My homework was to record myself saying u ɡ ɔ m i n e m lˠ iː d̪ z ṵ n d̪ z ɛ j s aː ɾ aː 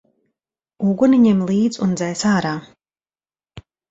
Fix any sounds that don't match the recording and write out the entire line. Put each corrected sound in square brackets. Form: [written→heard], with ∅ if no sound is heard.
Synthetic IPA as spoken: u ɡ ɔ [m→n] i [n→ɲ] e m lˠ iː d̪ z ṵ n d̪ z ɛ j s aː ɾ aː

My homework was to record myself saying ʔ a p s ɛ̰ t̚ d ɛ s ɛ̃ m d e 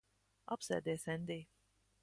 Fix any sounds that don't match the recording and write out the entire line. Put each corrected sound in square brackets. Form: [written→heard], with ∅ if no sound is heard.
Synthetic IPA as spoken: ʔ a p s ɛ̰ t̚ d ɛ s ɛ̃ [m→n] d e

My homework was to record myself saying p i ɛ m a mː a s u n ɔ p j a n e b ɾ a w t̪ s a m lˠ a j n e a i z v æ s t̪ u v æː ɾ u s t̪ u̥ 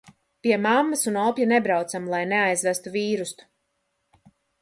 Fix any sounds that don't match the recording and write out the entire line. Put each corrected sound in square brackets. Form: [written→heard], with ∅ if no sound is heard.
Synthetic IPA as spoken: p i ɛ m a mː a s u n ɔ p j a n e b ɾ a w t̪ s a m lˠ a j n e a [i→j] z v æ s t̪ u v [æː→iː] ɾ u s t̪ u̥

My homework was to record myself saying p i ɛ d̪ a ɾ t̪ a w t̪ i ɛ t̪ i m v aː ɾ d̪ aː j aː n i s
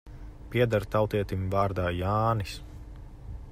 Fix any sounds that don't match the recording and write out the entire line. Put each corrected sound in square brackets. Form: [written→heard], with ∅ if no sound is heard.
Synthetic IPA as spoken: p i ɛ d̪ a ɾ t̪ a w t̪ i ɛ t̪ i m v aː ɾ d̪ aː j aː n i s

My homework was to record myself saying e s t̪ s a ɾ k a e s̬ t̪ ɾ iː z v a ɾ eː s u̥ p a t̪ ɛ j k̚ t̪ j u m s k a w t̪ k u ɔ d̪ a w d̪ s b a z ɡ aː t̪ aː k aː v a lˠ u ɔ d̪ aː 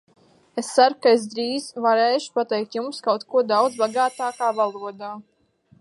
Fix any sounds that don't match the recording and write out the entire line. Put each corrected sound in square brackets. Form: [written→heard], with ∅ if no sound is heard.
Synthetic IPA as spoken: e s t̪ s a ɾ k a e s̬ [t̪→d̪] ɾ iː z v a ɾ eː [s→ʃ] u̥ p a t̪ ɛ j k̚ t̪ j u m s k a w t̪ k u ɔ d̪ a w d̪ [s→z] b a [z→∅] ɡ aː t̪ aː k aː v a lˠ u ɔ d̪ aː

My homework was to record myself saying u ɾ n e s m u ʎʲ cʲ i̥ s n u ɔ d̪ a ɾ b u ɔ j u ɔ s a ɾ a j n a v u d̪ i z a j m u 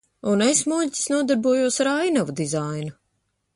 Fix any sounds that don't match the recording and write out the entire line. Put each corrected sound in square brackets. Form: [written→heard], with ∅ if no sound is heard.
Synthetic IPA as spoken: u [ɾ→∅] n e s m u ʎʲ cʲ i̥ s n u ɔ d̪ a ɾ b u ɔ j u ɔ s a ɾ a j n a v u d̪ i z a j [m→n] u

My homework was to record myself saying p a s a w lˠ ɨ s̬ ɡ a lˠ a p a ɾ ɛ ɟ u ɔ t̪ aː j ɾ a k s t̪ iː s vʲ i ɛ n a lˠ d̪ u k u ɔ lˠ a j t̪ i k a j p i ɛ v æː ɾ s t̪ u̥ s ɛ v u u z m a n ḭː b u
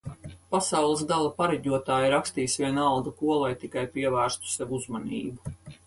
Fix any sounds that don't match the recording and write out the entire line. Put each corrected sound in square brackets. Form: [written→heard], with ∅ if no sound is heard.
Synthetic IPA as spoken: p a s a w lˠ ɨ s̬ ɡ a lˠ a p a ɾ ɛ ɟ u ɔ t̪ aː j ɾ a k s t̪ iː s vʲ i ɛ n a lˠ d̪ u k u ɔ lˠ a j t̪ i k a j p i ɛ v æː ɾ s t̪ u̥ s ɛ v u u z m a n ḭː b u

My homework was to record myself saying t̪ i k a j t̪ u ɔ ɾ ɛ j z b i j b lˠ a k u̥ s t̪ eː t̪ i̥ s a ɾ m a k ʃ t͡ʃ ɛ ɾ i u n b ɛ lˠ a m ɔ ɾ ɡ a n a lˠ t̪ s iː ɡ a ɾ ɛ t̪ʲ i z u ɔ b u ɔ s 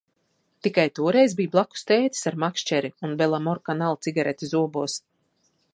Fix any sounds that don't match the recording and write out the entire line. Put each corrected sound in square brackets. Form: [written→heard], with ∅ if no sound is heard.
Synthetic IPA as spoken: t̪ i k a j t̪ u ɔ ɾ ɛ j z b i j b lˠ a k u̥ s t̪ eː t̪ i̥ s a ɾ m a k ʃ t͡ʃ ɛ ɾ i u n b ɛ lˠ a m ɔ ɾ [ɡ→k] a n a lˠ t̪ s [iː→i] ɡ a ɾ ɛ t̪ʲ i z u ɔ b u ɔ s

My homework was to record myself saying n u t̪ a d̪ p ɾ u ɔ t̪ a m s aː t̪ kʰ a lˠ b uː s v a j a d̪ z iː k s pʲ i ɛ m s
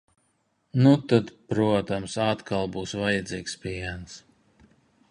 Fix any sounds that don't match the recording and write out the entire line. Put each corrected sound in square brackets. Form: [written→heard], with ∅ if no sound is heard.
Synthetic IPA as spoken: n u t̪ a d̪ p ɾ u ɔ t̪ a m s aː t̪ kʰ a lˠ b uː s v a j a d̪ z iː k s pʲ i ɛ [m→n] s

